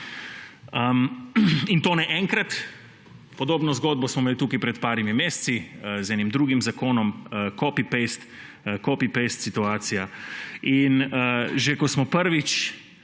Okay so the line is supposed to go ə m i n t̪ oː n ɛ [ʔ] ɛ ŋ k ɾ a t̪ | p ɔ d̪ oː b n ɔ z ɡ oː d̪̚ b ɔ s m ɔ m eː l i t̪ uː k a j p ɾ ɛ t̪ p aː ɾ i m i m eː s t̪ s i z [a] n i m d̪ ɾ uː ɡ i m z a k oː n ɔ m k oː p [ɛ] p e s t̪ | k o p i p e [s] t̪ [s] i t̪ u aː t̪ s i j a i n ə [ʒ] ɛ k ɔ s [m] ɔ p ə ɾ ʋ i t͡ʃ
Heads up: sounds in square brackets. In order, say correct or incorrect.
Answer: correct, incorrect: ɛ, incorrect: i, correct, correct, correct, correct

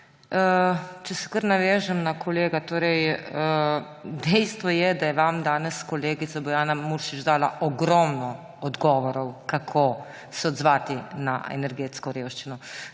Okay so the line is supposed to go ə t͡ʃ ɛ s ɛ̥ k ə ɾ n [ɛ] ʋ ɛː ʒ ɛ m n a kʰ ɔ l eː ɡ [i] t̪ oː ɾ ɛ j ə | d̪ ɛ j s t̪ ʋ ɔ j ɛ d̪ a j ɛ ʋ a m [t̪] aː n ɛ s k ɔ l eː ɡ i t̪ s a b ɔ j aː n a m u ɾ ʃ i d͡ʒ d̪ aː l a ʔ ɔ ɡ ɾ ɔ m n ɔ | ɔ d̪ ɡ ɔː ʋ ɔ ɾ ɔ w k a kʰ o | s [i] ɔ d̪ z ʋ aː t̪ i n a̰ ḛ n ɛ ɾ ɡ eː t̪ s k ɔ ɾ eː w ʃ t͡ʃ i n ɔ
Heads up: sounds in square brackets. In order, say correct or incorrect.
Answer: incorrect: a, incorrect: a, incorrect: d̪, incorrect: ɛ

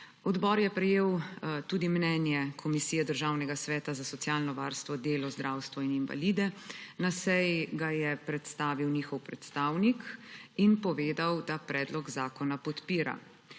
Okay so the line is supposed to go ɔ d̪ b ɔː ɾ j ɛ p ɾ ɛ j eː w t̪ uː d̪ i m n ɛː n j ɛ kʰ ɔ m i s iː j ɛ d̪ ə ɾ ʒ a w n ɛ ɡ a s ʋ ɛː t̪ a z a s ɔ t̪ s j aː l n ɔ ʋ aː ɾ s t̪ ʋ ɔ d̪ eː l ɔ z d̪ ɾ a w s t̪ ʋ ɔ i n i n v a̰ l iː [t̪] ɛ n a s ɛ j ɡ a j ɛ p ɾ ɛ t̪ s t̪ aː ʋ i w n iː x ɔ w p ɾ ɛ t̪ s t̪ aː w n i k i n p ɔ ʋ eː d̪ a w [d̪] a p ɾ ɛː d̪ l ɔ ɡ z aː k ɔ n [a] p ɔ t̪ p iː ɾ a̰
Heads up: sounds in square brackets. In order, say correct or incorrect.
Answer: incorrect: d̪, correct, correct

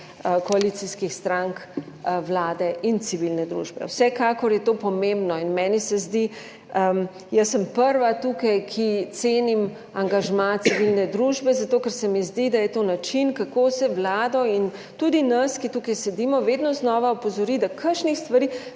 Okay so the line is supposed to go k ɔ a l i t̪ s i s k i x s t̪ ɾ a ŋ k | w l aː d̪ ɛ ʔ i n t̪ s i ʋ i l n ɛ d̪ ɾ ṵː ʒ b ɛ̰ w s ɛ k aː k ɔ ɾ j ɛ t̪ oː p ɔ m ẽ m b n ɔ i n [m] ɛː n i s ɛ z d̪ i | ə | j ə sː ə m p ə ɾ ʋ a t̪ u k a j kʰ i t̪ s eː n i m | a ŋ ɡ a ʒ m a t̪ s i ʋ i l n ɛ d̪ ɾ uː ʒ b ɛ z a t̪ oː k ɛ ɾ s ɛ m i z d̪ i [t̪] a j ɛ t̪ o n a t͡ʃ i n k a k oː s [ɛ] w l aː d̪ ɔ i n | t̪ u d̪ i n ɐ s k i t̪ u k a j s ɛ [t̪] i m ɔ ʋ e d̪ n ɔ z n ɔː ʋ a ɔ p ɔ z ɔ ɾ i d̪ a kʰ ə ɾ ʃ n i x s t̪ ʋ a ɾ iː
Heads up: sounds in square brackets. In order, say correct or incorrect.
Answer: correct, incorrect: d̪, correct, incorrect: d̪

